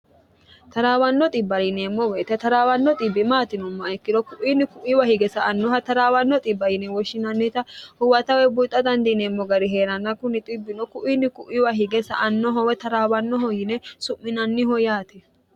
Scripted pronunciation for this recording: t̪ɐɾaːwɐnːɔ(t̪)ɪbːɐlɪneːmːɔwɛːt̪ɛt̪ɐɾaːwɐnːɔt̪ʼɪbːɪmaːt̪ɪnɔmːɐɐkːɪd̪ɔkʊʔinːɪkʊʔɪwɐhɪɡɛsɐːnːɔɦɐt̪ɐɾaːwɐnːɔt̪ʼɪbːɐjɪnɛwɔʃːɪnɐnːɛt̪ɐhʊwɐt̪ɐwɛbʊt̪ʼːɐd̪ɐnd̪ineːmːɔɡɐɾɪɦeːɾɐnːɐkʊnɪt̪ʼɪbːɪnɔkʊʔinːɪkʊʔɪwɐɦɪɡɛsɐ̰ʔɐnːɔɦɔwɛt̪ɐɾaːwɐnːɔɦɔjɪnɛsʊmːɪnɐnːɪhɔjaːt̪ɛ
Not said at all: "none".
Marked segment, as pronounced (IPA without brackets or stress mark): t̪ʼ